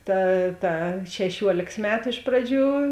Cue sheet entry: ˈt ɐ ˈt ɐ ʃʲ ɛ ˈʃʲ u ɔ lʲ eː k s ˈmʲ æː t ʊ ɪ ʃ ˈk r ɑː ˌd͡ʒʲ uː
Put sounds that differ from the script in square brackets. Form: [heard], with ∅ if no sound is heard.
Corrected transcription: ˈt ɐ ˈt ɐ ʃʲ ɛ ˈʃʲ u ɔ lʲ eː k s ˈmʲ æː t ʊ ɪ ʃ [ˈp] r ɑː ˌd͡ʒʲ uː